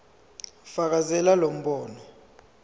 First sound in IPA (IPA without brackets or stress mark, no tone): f